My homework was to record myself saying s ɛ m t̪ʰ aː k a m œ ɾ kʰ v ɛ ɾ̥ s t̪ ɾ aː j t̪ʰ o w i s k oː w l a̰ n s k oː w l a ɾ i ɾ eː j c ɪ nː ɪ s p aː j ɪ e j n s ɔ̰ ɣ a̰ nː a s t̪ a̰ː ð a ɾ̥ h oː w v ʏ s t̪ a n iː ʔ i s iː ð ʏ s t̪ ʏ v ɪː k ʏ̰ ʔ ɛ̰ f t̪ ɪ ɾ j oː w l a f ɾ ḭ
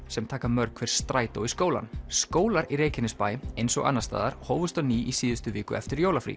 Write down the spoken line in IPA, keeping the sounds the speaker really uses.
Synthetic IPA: s ɛ m t̪ʰ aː k a m œ ɾ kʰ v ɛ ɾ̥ s t̪ ɾ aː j t̪ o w i s k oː w l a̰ n s k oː w l a ɾ i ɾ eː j c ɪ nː ɪ s p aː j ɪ e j n s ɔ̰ ɣ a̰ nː a s t̪ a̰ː ð a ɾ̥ h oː w v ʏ s t̪ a n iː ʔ i s iː ð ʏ s t̪ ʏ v ɪː k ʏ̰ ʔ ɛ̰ f t̪ ɪ ɾ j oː w l a f ɾ ḭ